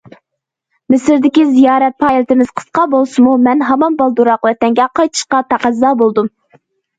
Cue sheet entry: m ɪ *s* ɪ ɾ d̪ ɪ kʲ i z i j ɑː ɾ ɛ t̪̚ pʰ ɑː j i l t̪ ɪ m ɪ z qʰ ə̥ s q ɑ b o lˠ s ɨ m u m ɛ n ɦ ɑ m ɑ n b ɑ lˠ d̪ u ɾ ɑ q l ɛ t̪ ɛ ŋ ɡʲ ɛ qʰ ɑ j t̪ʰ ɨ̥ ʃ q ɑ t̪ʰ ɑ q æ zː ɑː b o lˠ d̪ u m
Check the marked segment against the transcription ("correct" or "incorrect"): correct